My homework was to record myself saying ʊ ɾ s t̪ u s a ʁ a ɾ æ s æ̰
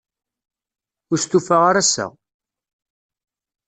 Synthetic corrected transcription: ʊ ɾ s t̪ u f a ʁ a ɾ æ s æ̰